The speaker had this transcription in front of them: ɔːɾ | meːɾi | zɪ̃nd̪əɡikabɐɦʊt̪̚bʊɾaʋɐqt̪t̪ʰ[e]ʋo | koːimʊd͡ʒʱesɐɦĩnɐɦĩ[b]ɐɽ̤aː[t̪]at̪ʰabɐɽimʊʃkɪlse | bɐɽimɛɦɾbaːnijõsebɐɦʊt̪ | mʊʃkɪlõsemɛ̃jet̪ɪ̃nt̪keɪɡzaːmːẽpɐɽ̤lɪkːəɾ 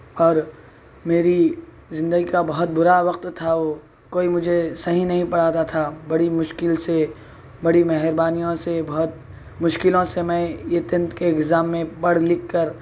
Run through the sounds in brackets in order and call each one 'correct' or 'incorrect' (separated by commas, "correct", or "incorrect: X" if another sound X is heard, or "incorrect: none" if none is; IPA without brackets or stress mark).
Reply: incorrect: a, incorrect: p, correct